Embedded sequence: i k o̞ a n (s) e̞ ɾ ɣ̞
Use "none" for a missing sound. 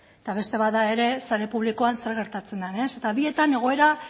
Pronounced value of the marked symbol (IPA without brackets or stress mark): s